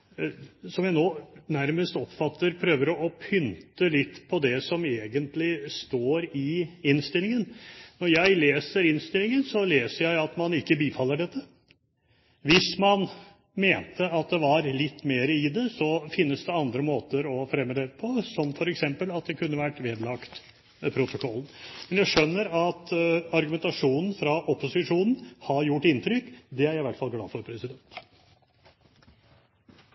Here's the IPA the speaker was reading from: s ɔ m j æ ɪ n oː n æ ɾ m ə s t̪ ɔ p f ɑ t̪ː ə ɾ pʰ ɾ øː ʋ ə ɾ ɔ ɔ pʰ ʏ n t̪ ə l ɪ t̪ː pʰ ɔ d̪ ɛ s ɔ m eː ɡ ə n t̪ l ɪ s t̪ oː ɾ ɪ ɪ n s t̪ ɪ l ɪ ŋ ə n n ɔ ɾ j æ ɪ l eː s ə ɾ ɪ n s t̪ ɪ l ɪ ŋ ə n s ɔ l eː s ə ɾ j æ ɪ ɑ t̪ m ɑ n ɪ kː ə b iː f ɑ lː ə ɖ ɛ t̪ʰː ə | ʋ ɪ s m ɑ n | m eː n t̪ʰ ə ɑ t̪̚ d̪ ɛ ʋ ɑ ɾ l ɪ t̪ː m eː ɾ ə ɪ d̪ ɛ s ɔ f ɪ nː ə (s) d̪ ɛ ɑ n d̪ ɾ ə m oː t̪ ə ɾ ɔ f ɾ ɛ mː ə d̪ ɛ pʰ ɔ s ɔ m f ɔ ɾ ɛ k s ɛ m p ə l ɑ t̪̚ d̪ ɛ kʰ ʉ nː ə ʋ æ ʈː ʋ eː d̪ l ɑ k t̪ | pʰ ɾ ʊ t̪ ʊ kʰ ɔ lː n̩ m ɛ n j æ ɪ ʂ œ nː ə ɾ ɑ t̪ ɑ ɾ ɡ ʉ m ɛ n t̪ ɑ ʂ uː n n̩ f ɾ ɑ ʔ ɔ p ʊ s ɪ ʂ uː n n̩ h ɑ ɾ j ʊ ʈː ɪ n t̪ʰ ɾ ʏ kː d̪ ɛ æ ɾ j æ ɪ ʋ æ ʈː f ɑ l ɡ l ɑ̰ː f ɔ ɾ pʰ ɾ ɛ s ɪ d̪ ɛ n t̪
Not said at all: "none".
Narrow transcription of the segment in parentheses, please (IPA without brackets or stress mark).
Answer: s